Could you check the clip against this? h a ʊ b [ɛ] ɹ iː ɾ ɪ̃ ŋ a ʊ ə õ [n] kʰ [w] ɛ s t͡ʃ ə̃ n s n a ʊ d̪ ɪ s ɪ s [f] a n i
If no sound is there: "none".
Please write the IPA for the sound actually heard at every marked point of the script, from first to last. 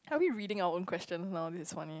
i, n, w, f

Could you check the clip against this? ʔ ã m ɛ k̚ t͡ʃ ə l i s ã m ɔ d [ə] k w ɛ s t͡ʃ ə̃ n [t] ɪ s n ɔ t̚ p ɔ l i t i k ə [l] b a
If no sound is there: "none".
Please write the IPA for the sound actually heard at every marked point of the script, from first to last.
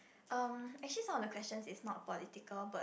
ə, s, l

